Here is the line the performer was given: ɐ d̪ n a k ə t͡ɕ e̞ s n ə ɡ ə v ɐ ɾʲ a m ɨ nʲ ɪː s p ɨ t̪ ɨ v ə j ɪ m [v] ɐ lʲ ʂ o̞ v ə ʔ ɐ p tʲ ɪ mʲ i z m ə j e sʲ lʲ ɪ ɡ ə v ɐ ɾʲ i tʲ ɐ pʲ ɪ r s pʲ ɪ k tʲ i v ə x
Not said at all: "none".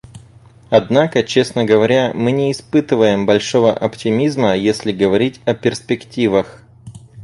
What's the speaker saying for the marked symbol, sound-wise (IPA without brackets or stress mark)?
b